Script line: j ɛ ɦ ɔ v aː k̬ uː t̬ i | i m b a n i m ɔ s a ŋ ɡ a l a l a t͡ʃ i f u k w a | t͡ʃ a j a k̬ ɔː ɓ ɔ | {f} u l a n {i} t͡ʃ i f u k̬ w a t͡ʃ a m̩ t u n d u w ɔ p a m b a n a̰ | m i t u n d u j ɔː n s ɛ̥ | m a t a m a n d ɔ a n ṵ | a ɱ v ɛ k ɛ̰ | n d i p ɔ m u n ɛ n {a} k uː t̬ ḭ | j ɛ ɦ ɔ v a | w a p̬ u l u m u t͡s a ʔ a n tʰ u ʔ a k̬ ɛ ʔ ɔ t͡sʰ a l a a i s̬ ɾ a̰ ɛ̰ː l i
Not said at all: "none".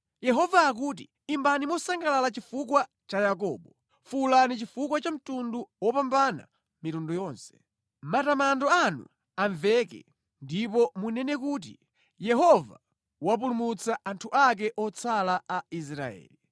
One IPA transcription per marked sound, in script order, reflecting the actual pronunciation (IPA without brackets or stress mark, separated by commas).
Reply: f, i, ɛ